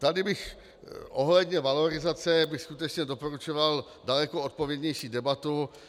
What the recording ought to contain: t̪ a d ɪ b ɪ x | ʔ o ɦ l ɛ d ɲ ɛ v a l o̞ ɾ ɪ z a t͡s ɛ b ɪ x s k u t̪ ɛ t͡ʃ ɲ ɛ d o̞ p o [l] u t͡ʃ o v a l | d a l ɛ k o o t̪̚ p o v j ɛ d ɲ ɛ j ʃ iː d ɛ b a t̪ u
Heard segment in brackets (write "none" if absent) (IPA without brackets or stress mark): ɾ